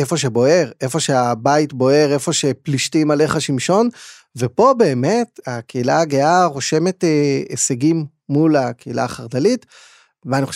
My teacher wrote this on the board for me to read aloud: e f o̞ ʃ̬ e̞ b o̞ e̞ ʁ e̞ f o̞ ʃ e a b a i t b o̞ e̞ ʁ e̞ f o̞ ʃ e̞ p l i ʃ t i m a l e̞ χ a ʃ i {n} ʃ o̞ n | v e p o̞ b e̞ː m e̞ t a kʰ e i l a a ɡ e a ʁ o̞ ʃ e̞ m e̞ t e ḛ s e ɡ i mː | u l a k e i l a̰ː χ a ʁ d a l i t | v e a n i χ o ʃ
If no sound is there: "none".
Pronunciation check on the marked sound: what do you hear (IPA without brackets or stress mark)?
m